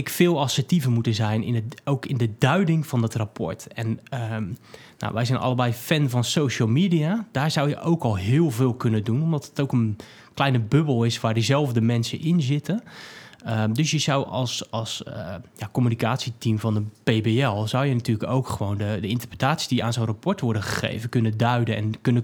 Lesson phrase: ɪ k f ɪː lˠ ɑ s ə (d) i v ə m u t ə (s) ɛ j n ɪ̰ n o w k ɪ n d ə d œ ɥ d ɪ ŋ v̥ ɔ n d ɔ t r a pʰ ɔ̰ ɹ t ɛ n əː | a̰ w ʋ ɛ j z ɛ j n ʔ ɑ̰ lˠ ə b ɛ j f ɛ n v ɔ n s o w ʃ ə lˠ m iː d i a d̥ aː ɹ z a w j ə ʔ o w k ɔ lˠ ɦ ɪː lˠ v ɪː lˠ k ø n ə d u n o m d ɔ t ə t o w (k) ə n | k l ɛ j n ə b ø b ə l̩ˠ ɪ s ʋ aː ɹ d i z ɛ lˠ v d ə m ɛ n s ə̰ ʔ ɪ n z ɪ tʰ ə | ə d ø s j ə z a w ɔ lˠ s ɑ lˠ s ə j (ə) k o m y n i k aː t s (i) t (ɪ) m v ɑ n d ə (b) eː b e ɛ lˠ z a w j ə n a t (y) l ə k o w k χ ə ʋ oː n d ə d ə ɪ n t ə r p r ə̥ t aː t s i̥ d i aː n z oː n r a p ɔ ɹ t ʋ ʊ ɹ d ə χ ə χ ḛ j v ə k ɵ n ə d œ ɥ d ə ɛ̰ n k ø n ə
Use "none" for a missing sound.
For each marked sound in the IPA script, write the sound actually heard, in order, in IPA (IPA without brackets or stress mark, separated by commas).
t, z, k, a, i, i, p, yː